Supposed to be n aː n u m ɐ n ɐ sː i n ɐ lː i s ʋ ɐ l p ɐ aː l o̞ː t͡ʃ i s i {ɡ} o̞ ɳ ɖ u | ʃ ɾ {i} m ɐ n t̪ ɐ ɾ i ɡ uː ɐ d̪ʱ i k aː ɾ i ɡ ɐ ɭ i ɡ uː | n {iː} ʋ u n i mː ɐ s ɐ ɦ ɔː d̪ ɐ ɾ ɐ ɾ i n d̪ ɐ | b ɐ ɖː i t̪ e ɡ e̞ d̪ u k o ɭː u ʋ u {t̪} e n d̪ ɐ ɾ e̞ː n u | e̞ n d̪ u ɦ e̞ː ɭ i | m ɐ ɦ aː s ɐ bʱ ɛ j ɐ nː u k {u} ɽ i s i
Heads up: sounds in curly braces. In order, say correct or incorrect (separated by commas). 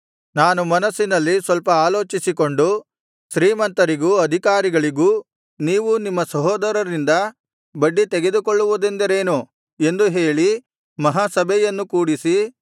incorrect, incorrect, correct, incorrect, incorrect